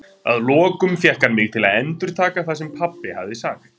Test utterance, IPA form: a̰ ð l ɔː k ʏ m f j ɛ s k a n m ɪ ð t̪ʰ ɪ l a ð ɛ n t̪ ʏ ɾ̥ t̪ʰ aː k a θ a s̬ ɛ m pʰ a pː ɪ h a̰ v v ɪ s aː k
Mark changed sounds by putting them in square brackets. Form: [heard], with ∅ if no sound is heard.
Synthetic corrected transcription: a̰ ð l ɔː k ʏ m f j ɛ [h] k a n m ɪ [ɣ] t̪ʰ ɪ l a ð ɛ n t̪ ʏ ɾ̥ t̪ʰ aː k a θ a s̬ ɛ m pʰ a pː ɪ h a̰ v [ð] ɪ s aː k